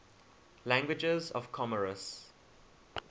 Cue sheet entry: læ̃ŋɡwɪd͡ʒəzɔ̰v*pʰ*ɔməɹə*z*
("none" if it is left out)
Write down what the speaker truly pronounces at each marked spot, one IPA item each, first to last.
kʰ, s

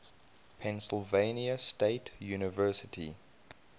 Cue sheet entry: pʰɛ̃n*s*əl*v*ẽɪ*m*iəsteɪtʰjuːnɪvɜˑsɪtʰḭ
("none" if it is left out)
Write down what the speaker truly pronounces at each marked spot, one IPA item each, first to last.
s, v, n

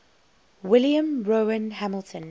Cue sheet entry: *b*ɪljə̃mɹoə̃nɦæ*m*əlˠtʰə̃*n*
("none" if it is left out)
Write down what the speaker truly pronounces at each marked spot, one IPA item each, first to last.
w, m, n

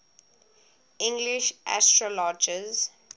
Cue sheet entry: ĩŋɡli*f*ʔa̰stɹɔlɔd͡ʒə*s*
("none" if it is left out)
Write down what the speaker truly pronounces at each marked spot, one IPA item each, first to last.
ʃ, z

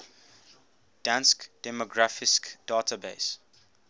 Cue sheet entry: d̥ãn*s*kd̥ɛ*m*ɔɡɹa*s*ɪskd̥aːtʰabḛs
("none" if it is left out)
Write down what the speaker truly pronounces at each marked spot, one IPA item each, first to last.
s, m, f

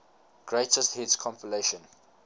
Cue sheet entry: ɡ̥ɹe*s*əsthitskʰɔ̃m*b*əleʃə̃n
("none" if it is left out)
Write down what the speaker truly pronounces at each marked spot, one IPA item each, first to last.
t, p

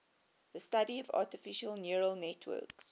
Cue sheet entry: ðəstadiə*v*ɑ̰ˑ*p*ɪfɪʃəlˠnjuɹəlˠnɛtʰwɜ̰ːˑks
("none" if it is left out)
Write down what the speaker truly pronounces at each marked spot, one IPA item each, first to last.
v, t

